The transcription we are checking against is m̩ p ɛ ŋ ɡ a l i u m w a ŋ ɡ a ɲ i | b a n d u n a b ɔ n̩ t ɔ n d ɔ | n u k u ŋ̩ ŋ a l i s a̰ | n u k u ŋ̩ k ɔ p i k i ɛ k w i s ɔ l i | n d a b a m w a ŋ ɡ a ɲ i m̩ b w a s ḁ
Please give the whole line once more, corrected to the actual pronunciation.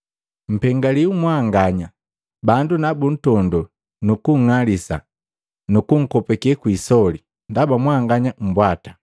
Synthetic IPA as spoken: m̩ p ɛ ŋ ɡ a l i u m w a ŋ ɡ a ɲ a | b a n d u n a b u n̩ t ɔ n d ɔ | n u k u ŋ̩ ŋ a l i s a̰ | n u k u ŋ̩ k ɔ p ɛ k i ɛ k w i s ɔ l i | n d a b a m w a ŋ ɡ a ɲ a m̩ b w a t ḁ